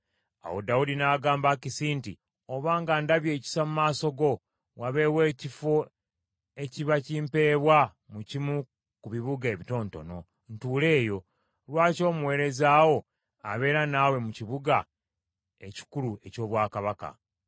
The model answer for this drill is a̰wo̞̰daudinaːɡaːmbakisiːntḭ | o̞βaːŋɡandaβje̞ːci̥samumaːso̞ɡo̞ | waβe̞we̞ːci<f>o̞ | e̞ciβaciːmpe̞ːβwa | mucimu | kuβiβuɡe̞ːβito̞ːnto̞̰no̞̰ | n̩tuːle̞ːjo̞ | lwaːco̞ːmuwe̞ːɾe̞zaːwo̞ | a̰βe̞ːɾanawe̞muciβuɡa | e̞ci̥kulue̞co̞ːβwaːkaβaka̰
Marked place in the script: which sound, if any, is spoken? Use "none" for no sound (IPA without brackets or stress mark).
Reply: f